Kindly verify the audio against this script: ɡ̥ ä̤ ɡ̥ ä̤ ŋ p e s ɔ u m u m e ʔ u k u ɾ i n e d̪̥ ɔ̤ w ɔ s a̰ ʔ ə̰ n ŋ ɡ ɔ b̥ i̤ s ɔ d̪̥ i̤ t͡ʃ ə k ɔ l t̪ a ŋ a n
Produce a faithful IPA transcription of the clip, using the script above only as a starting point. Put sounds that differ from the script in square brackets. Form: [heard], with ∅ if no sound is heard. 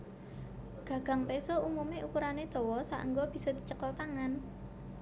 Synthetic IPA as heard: ɡ̥ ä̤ ɡ̥ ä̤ ŋ p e s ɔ u m u m e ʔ u k u ɾ [a] n e d̪̥ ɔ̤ w ɔ s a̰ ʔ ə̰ [∅] ŋ ɡ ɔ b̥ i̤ s ɔ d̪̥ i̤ t͡ʃ ə k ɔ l t̪ a ŋ a n

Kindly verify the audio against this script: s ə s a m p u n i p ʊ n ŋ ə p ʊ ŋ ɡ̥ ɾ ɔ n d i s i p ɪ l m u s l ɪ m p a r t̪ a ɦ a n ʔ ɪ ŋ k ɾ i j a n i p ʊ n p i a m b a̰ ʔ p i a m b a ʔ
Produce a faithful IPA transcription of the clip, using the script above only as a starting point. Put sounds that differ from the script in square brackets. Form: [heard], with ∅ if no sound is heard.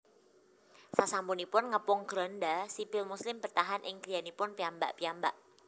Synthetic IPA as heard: s [a] s a m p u n i p ʊ n ŋ ə p ʊ ŋ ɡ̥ ɾ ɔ n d [a] s i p ɪ l m u s l ɪ m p [ə] r t̪ a ɦ a n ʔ ɪ ŋ k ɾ i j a n i p ʊ n p i a m b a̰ ʔ p i a m b a ʔ

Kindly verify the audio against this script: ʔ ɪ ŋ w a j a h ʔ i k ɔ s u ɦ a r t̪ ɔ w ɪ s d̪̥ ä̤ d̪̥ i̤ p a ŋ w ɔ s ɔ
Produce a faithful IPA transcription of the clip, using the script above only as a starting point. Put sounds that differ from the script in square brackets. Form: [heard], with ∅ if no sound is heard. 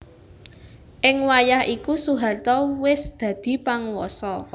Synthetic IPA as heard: ʔ ɪ ŋ w a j a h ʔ i k [u] s u ɦ a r t̪ ɔ w ɪ s d̪̥ ä̤ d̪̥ i̤ p a ŋ w ɔ s ɔ

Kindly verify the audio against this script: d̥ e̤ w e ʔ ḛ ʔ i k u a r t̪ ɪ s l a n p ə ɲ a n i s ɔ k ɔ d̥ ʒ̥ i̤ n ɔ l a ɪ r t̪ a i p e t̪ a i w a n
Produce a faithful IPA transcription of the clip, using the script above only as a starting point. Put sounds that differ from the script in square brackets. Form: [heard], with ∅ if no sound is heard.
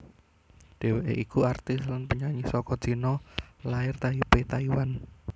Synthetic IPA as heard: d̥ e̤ w e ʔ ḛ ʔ i k u a r t̪ ɪ s l a n p ə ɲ a [ɲ] i s ɔ k ɔ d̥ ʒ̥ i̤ n ɔ l a ɪ r t̪ a i p e t̪ a i w a n

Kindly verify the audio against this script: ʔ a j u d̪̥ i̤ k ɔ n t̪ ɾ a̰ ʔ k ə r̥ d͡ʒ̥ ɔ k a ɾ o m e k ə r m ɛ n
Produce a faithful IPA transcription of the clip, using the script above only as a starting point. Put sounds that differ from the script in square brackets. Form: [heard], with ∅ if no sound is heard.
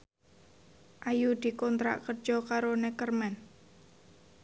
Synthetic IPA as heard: ʔ a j u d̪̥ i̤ k ɔ n t̪ ɾ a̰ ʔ k ə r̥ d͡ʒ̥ ɔ k a ɾ o [n] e k ə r m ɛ n

